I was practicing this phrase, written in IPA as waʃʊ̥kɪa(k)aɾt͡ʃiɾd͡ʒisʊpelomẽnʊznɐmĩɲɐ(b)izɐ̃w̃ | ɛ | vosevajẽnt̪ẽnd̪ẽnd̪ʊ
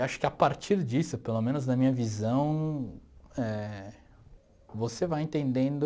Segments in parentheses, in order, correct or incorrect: incorrect, incorrect

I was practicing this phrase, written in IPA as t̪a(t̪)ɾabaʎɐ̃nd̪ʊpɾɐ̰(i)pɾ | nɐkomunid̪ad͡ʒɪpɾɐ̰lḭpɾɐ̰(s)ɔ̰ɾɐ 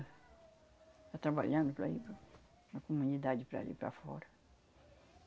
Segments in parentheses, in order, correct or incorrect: correct, correct, incorrect

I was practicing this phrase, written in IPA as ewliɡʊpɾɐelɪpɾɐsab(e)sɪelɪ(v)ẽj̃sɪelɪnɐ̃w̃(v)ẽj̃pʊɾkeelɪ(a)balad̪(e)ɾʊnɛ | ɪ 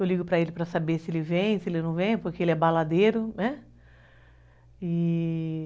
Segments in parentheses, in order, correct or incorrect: correct, correct, correct, incorrect, correct

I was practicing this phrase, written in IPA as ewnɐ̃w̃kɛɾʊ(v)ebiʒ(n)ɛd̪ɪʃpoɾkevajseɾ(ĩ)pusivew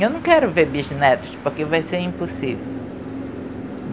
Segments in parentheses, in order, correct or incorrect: correct, correct, correct

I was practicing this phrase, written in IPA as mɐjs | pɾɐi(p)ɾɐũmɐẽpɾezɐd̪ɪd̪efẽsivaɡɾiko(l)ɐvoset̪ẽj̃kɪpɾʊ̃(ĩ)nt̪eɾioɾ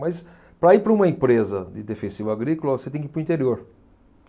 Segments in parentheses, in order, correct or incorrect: correct, correct, correct

